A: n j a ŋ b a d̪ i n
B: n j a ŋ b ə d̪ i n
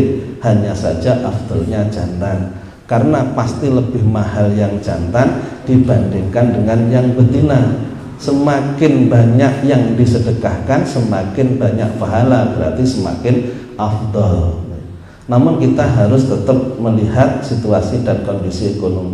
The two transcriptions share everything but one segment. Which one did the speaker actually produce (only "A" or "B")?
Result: B